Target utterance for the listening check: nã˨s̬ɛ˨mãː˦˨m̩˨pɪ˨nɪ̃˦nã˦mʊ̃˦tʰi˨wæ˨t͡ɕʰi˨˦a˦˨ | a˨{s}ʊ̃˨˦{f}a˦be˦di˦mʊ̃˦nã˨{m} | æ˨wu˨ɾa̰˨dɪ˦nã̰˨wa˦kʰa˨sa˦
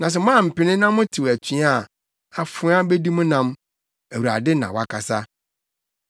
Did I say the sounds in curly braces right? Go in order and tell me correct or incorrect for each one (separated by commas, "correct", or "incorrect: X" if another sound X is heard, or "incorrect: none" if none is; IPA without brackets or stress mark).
incorrect: f, incorrect: none, correct